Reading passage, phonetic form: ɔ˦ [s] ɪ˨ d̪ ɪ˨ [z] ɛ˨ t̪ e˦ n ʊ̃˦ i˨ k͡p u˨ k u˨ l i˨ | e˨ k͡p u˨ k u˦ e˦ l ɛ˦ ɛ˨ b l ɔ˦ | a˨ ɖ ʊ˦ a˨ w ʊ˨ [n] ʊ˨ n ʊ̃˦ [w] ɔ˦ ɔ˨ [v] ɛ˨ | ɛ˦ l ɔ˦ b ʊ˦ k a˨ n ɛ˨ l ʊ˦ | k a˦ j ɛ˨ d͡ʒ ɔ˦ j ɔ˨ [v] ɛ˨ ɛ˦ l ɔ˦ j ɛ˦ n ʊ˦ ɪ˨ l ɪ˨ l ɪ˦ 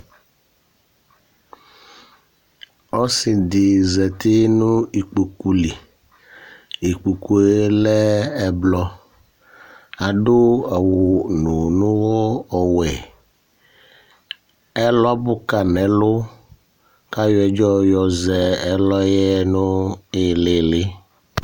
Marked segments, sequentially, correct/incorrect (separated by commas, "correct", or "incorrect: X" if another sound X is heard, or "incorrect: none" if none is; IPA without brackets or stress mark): correct, correct, correct, correct, incorrect: w, incorrect: z